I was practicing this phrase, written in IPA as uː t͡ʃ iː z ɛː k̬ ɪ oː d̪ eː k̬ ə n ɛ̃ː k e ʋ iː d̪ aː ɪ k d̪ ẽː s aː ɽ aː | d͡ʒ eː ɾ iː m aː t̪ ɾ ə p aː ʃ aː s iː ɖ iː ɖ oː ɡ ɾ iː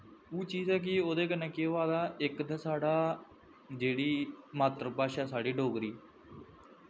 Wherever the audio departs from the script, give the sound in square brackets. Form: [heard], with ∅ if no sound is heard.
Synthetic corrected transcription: uː t͡ʃ iː z ɛː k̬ ɪ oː d̪ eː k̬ ə n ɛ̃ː k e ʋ [aː] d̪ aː ɪ k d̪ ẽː s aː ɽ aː | d͡ʒ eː [ɽ] iː m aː t̪ ɾ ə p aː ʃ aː s [aː] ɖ iː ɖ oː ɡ ɾ iː

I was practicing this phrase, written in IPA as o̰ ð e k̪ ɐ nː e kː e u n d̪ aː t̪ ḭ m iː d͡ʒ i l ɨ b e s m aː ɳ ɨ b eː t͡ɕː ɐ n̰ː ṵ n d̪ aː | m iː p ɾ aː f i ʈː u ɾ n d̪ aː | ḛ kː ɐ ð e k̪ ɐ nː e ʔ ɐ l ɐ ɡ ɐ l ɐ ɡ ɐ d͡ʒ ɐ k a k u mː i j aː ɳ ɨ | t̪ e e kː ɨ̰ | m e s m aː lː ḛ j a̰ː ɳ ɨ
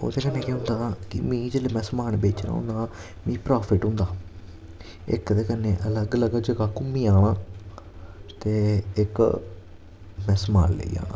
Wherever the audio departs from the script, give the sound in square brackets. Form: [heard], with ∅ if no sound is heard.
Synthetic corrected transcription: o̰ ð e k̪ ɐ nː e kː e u n d̪ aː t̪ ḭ m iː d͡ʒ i l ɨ [m] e s m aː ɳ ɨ b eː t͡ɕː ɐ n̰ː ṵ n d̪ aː | m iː p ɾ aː f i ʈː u [∅] n d̪ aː | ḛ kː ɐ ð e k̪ ɐ nː e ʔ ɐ l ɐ ɡ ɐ l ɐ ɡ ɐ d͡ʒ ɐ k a k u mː i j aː ɳ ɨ | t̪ e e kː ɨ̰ | m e s m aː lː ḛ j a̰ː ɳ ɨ

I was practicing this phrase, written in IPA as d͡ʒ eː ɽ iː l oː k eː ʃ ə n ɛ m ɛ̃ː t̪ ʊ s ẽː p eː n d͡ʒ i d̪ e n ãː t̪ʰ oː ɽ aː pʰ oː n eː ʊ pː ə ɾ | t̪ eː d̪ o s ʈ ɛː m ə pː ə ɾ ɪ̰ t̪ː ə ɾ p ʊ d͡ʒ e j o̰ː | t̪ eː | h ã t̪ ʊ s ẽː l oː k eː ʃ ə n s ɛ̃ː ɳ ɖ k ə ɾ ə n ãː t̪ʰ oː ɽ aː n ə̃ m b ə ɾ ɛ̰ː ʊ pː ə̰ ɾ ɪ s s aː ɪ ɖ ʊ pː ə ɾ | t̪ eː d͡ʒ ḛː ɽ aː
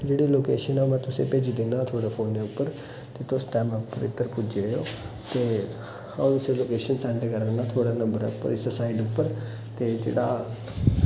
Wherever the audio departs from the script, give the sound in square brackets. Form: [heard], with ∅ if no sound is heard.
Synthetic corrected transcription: d͡ʒ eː ɽ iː l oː k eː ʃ ə n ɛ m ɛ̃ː t̪ ʊ s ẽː p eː [∅] d͡ʒ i d̪ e n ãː t̪ʰ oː ɽ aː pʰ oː n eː ʊ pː ə ɾ | t̪ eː [t̪] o s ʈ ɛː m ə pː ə ɾ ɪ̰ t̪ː ə ɾ p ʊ d͡ʒ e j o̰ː | t̪ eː | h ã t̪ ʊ s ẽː l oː k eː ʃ ə n s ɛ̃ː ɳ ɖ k ə ɾ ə n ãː t̪ʰ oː ɽ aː n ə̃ m b ə ɾ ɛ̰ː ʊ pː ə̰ ɾ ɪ s s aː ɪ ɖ ʊ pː ə ɾ | t̪ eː d͡ʒ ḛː ɽ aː

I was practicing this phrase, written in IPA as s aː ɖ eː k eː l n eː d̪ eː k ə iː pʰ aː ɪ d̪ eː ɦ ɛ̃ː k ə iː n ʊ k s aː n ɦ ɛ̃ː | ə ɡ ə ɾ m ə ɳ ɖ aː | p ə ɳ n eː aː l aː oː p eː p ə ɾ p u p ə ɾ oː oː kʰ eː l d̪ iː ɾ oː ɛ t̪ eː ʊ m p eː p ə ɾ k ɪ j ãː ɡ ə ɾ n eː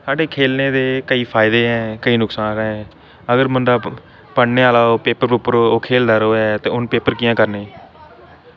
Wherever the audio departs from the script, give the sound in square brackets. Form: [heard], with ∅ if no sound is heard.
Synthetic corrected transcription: s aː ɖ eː [kʰ] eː l n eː d̪ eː k ə iː pʰ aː ɪ d̪ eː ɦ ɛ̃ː k ə iː n ʊ k s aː n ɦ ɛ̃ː | ə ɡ ə ɾ m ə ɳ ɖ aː | p ə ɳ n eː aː l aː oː p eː p ə ɾ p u p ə ɾ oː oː kʰ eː l d̪ [aː] ɾ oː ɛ t̪ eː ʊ [n] p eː p ə ɾ k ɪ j ãː [k] ə ɾ n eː

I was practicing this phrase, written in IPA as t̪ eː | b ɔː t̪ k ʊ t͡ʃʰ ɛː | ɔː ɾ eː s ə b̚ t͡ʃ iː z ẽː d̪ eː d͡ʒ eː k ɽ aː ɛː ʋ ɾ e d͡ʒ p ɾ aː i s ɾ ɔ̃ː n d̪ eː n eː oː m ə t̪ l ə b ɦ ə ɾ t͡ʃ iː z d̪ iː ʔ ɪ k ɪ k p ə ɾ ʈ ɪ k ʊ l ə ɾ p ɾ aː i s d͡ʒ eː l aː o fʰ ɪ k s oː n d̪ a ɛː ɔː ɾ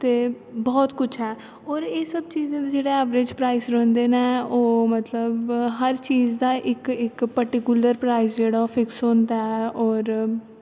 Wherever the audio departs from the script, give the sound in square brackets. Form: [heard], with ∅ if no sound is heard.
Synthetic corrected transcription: t̪ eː | b ɔː t̪ k ʊ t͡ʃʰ ɛː | ɔː ɾ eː s ə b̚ t͡ʃ iː z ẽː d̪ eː d͡ʒ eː [∅] ɽ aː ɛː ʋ ɾ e d͡ʒ p ɾ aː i s ɾ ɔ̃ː n d̪ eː n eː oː m ə t̪ l ə b ɦ ə ɾ t͡ʃ iː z d̪ [aː] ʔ ɪ k ɪ k p ə ɾ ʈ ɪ k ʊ l ə ɾ p ɾ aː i s d͡ʒ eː [ɽ] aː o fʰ ɪ k s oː n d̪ a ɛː ɔː ɾ

